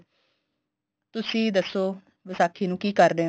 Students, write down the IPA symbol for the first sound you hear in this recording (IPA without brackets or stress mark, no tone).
t̪